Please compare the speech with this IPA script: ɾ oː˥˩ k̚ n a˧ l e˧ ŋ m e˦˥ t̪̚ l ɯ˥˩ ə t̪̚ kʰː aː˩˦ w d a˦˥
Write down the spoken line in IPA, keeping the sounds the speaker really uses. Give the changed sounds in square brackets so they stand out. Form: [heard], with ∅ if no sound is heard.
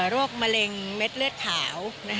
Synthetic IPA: ɾ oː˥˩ k̚ [m] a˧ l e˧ ŋ m e˦˥ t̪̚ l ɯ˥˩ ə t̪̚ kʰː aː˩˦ w [n] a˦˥